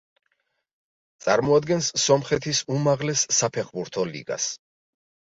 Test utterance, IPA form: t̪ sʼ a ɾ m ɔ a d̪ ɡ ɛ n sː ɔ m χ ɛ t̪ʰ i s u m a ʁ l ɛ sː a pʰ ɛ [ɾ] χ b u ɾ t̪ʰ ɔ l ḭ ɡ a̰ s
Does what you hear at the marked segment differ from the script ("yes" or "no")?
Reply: yes